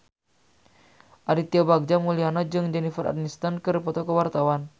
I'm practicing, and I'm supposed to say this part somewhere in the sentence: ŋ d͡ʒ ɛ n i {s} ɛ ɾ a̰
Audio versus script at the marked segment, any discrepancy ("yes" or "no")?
yes